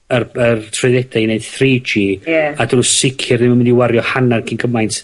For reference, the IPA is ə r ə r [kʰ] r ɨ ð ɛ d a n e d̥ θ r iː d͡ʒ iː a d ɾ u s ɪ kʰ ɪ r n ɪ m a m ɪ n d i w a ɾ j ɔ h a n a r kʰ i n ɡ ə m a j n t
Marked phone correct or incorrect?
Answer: incorrect